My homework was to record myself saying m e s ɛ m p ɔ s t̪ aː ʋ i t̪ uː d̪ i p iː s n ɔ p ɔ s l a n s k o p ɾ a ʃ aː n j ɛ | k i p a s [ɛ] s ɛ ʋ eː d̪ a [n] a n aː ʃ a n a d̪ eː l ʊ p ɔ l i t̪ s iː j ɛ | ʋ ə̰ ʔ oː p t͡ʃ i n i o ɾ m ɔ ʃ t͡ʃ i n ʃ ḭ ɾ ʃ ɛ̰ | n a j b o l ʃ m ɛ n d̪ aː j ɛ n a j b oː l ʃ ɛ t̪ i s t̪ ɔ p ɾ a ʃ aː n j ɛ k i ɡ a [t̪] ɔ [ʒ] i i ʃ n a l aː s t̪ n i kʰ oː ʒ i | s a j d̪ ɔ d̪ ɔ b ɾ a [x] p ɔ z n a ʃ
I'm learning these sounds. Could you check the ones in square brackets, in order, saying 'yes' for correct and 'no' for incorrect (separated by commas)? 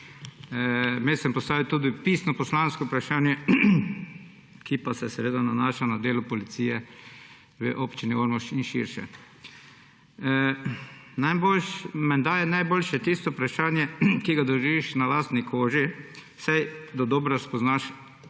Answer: yes, yes, no, yes, no